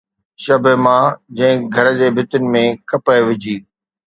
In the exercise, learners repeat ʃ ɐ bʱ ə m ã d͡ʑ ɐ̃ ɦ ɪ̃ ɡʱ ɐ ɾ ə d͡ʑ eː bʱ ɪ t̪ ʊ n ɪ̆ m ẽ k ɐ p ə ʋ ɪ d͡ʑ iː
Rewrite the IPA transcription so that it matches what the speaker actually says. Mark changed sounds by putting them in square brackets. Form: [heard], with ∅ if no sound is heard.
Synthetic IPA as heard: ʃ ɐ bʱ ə m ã d͡ʑ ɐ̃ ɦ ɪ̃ ɡʱ ɐ ɾ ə d͡ʑ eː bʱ ɪ t̪ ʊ n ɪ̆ m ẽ k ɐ p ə ʋ ɪ d͡ʑ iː